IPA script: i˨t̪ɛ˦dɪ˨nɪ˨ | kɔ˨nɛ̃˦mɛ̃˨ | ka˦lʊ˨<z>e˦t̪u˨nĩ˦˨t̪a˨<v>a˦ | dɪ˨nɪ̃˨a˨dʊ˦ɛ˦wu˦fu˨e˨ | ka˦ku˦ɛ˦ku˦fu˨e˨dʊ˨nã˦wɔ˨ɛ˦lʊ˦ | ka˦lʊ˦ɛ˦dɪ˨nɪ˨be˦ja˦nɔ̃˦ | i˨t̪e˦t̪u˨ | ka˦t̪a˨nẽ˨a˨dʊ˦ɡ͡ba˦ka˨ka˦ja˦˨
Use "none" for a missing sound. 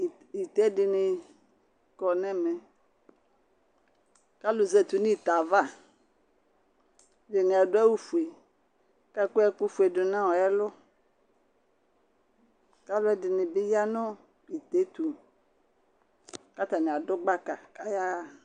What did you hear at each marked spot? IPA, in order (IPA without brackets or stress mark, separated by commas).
z, v